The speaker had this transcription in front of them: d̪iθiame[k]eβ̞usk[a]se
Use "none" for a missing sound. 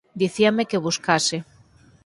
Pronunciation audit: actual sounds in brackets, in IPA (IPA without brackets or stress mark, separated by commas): k, a